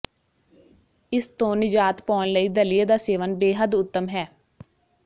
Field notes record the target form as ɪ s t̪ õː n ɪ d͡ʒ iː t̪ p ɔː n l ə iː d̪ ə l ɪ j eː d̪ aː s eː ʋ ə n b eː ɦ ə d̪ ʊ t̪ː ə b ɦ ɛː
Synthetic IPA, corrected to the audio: ɪ s t̪ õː n ɪ d͡ʒ aː t̪ p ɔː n l ə iː d̪ ə l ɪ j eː d̪ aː s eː ʋ ə n b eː ɦ ə d̪ ʊ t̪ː ə m ɦ ɛː